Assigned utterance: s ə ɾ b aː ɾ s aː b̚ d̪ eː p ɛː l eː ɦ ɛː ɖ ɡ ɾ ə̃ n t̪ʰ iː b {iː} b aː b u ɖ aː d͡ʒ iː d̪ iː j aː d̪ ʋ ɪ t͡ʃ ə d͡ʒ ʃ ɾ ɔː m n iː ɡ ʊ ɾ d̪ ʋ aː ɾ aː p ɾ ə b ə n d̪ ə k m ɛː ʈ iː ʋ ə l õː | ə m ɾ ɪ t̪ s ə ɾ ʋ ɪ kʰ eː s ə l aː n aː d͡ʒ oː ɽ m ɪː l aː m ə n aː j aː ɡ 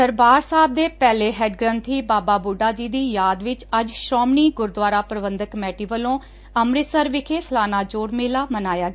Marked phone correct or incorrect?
incorrect